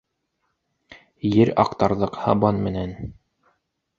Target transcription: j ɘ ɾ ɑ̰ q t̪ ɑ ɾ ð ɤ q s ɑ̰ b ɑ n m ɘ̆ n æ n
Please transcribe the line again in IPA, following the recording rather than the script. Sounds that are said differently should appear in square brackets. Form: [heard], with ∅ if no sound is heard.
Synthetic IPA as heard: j ɘ ɾ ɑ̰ q t̪ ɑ ɾ ð ɤ q [h] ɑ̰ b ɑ n m ɘ̆ n æ n